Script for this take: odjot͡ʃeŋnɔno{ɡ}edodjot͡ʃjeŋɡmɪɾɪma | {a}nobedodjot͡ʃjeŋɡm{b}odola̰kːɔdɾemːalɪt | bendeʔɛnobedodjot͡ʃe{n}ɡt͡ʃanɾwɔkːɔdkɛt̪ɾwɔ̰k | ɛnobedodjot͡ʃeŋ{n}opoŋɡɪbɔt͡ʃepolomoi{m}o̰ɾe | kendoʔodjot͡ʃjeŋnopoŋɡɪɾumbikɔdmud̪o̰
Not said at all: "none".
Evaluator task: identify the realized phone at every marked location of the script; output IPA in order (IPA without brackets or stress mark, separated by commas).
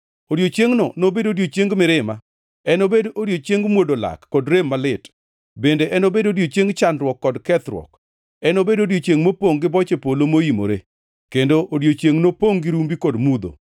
b, ɛ, w, ŋ, m, m